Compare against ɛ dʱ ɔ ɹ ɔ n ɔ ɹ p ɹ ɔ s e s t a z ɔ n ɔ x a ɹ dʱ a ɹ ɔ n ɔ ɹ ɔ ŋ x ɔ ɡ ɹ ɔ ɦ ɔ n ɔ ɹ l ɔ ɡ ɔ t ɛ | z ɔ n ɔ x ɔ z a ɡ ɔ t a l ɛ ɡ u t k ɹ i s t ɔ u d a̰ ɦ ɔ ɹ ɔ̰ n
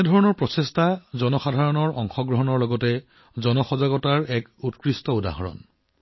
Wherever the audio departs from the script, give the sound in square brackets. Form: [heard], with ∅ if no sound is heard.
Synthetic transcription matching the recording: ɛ dʱ ɔ ɹ ɔ n ɔ ɹ p ɹ ɔ s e s t a z ɔ n ɔ x a [∅] dʱ a ɹ ɔ n ɔ ɹ ɔ ŋ x ɔ ɡ ɹ ɔ ɦ ɔ n ɔ ɹ l ɔ ɡ ɔ t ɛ | z ɔ n ɔ x ɔ z a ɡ ɔ t a [ɹ] ɛ [k] u t k ɹ i s t ɔ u d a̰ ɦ ɔ ɹ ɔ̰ n